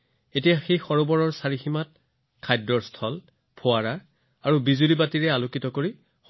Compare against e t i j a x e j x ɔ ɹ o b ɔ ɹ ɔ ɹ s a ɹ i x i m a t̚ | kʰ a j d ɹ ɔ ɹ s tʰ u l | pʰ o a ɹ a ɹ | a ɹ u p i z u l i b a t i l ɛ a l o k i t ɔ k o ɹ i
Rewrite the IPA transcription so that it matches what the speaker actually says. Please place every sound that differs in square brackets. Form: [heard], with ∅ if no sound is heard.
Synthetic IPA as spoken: e t i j a x e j x ɔ ɹ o b ɔ ɹ ɔ ɹ s a ɹ i x i m a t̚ | kʰ a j d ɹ ɔ ɹ s tʰ [ɔ] l | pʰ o a ɹ a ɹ | a ɹ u [b] i z u l i b a t i [ɹ] ɛ a l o k i t ɔ k o ɹ i